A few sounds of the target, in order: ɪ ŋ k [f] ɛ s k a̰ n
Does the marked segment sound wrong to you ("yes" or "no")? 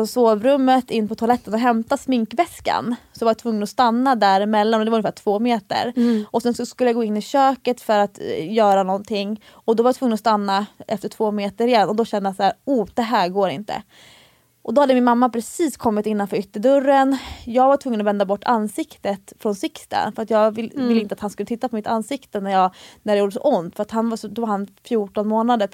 yes